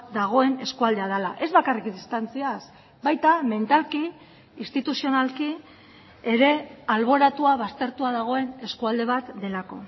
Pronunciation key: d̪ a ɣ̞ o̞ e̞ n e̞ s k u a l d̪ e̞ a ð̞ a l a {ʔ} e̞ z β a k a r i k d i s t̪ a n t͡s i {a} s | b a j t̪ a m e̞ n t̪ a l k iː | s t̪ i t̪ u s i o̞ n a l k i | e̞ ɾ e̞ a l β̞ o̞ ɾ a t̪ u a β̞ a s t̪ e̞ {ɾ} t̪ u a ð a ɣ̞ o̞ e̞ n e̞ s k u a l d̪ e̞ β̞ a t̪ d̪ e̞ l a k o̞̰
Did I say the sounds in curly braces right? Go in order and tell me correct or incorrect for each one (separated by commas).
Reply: correct, correct, correct